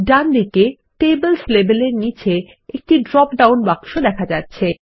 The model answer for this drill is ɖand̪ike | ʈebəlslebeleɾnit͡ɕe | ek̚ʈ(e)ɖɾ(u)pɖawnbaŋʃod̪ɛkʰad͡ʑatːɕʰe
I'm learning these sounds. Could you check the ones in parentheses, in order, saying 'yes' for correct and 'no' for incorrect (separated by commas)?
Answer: no, no